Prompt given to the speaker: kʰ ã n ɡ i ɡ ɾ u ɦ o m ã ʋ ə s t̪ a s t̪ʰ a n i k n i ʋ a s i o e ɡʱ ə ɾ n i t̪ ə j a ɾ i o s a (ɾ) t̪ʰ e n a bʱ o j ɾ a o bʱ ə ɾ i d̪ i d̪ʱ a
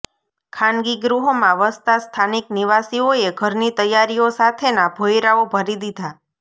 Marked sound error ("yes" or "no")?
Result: yes